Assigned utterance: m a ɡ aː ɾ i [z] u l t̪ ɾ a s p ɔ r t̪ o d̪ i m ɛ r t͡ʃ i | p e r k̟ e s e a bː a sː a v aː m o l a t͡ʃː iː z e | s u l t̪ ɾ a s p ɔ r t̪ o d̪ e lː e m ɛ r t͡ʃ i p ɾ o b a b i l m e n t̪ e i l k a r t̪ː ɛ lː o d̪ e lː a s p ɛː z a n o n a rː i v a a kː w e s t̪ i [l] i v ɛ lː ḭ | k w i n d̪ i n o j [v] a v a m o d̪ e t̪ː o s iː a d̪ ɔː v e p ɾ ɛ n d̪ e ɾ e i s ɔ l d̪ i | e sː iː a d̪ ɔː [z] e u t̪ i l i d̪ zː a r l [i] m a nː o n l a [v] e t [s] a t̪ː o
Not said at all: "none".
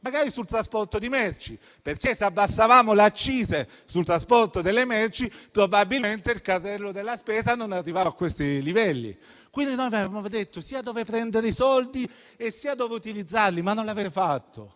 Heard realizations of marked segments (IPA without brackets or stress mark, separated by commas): s, l, v, v, i, v, f